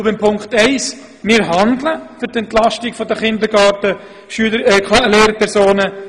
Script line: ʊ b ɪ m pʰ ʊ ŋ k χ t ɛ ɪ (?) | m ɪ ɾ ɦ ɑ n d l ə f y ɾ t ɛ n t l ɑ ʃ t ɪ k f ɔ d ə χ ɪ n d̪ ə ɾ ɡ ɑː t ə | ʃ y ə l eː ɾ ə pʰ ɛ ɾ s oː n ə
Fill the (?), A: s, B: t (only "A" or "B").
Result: A